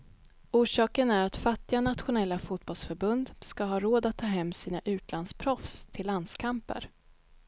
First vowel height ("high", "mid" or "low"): high